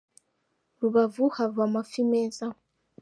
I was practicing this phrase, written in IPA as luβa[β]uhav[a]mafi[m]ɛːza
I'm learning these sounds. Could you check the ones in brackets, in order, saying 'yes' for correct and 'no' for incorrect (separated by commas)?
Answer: no, yes, yes